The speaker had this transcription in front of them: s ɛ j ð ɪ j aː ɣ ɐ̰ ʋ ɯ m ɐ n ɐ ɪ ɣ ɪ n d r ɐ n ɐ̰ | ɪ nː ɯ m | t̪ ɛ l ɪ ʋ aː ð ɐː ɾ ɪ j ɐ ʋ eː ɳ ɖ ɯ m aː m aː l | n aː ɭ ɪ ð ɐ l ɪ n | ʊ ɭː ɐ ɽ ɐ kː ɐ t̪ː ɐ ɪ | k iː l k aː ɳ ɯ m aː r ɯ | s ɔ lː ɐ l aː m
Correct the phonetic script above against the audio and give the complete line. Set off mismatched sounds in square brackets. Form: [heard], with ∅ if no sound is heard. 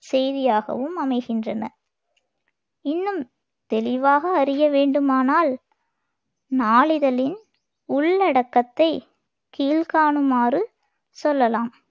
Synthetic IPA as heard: s ɛ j ð ɪ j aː ɣ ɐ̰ ʋ ɯ m ɐ [m] ɐ ɪ ɣ ɪ n d r ɐ n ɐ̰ | ɪ nː ɯ m | t̪ ɛ l ɪ ʋ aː [ɣ] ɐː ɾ ɪ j ɐ ʋ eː ɳ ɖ ɯ m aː [n] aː l | n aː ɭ ɪ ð ɐ l ɪ n | ʊ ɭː ɐ ɽ ɐ kː ɐ t̪ː ɐ ɪ | k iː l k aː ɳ ɯ m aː r ɯ | s ɔ lː ɐ l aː m